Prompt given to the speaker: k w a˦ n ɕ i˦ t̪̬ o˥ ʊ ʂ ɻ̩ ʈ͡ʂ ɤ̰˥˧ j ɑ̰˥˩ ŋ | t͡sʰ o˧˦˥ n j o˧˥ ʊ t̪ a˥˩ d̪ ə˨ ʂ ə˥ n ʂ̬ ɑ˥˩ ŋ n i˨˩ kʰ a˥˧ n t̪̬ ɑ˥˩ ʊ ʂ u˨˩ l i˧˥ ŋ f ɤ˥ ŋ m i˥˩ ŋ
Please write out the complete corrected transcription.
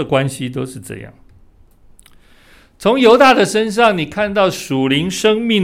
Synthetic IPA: k w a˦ n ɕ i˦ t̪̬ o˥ ʊ ʂ ɻ̩ ʈ͡ʂ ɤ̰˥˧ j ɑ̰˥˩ ŋ | t͡sʰ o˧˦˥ ŋ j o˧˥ ʊ t̪ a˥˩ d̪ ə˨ ʂ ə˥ n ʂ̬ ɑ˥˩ ŋ n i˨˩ kʰ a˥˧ n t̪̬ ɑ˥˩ ʊ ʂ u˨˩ l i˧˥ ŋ ʂ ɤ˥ ŋ m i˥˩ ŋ